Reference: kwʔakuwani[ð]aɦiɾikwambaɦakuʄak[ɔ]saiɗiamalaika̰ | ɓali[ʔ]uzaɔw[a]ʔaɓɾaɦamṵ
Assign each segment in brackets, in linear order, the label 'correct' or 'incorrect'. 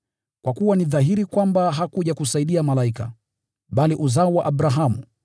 correct, incorrect, correct, correct

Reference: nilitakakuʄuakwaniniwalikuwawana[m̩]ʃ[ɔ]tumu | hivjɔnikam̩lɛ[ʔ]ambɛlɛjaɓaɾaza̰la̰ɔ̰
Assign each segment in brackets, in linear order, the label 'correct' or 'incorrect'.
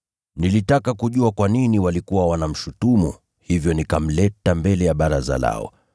correct, incorrect, incorrect

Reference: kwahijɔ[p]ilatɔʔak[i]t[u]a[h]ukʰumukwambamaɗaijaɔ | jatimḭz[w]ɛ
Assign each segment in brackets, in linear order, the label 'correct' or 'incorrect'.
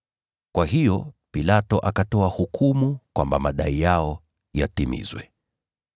correct, incorrect, incorrect, correct, correct

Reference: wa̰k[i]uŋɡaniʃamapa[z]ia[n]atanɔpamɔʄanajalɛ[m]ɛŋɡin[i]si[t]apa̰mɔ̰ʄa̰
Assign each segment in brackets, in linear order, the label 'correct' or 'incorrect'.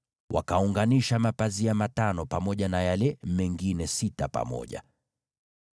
incorrect, correct, incorrect, correct, incorrect, correct

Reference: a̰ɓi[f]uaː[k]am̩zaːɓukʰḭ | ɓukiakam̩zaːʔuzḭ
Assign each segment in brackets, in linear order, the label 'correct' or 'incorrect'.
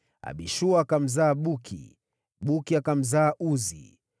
incorrect, correct

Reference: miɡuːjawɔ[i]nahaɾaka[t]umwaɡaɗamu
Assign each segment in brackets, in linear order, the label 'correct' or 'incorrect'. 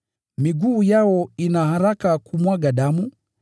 correct, incorrect

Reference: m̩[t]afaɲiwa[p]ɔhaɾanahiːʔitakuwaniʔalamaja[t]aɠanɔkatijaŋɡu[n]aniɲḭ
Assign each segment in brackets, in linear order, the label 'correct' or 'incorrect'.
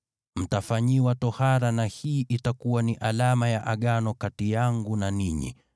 correct, incorrect, incorrect, correct

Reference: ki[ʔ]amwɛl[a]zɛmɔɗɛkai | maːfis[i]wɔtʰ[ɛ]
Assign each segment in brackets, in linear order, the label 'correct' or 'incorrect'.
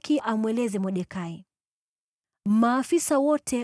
correct, incorrect, incorrect, correct

